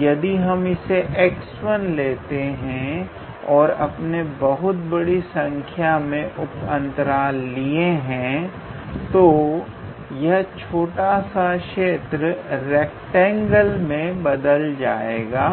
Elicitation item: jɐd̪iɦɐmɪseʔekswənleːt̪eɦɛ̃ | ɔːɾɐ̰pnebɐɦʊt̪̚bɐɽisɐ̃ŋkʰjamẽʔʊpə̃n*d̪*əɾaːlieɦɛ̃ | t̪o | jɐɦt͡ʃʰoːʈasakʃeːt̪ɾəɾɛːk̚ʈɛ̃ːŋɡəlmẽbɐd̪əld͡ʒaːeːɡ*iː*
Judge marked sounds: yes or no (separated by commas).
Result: no, no